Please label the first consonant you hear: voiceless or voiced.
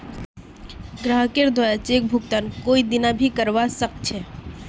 voiced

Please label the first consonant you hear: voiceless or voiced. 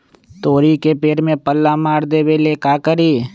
voiceless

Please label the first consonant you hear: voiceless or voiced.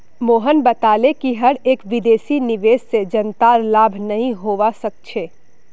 voiced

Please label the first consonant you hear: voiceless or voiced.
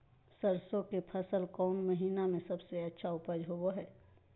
voiceless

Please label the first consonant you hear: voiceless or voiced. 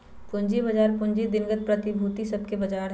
voiceless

